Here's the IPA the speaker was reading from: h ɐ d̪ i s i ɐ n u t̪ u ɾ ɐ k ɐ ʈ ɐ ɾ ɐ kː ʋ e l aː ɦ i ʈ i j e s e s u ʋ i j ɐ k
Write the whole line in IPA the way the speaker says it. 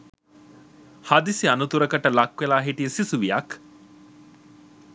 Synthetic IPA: h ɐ d̪ i s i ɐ n u t̪ u ɾ ɐ k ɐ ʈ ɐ l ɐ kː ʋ e l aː ɦ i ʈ i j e s i s u ʋ i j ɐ k